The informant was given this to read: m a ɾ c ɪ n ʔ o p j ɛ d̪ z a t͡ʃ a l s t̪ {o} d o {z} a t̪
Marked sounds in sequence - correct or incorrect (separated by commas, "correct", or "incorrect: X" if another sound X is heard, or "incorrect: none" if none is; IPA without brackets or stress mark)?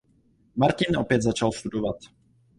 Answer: incorrect: u, incorrect: v